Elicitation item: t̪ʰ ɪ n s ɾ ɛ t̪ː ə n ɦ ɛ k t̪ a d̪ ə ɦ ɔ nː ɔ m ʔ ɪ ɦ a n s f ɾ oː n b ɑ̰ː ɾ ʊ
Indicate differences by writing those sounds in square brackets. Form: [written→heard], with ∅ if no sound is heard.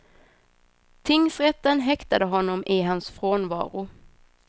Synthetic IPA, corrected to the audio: t̪ʰ ɪ [n→ŋ] s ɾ ɛ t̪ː ə n ɦ ɛ k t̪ a d̪ ə ɦ ɔ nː ɔ m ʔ ɪ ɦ a n s f ɾ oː n [b→v] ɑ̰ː ɾ ʊ